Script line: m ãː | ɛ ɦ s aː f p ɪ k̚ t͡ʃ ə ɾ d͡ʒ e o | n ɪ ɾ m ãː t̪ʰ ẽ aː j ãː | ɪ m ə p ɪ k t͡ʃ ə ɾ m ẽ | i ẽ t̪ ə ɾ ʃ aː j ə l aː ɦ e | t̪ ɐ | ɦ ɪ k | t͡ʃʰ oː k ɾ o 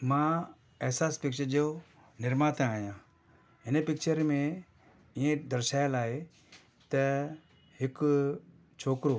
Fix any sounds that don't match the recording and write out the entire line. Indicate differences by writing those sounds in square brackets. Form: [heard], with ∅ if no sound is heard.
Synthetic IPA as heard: m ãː | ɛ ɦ s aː [s] p ɪ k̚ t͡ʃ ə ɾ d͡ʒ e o | n ɪ ɾ m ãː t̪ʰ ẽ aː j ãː | ɪ [n] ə p ɪ k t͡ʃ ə ɾ m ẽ | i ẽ [d̪] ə ɾ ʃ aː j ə l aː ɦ e | t̪ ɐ | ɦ ɪ k | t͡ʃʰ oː k ɾ o